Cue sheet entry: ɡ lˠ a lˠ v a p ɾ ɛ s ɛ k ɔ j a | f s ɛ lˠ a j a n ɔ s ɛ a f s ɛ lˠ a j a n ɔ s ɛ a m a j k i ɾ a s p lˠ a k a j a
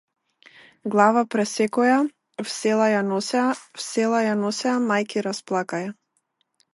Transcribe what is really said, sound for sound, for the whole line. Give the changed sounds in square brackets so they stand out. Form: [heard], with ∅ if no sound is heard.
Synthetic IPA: ɡ lˠ a [∅] v a p ɾ ɛ s ɛ k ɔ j a | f s ɛ lˠ a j a n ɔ s ɛ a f s ɛ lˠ a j a n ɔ s ɛ a m a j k i ɾ a s p lˠ a k a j a